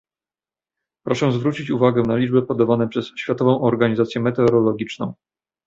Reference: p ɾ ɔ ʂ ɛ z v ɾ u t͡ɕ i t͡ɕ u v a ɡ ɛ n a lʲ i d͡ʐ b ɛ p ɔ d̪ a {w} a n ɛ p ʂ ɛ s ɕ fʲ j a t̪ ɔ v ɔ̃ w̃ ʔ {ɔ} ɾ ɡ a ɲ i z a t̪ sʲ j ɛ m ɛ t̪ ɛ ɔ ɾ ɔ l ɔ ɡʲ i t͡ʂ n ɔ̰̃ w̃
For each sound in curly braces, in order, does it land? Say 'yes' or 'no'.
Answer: no, yes

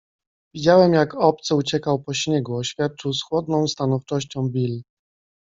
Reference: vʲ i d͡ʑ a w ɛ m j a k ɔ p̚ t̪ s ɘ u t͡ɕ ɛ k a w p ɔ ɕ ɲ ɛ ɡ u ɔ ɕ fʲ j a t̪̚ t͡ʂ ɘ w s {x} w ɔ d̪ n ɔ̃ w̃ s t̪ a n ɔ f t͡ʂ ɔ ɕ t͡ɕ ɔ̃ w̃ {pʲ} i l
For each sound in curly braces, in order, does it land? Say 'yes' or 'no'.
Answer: yes, no

